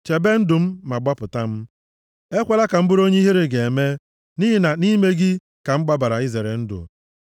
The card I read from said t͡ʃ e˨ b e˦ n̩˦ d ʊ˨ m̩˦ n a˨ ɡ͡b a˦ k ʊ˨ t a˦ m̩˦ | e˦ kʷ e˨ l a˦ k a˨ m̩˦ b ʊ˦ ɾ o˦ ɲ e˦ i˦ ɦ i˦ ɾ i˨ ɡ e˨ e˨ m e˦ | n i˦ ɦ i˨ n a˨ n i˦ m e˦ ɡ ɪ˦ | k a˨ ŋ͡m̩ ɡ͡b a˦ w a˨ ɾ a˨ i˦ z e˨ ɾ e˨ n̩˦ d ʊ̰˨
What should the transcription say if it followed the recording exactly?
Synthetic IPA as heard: t͡ʃ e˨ b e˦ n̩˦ d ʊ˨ m̩˦ m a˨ ɡ͡b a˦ p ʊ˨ t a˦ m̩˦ | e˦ kʷ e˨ l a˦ k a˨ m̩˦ b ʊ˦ ɾ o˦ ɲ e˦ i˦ ɦ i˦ ɾ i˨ ɡ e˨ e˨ m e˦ | n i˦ ɦ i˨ n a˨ n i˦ m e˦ ɡ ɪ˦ | k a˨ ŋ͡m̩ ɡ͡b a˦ b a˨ ɾ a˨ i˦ z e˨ ɾ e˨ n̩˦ d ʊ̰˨